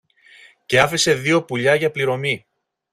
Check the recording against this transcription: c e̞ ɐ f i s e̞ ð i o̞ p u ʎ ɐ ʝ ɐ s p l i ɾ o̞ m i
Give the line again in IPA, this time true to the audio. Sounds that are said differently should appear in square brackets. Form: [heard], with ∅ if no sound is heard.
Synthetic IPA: c e̞ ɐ f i s e̞ ð i o̞ p u ʎ ɐ ʝ ɐ [∅] p l i ɾ o̞ m i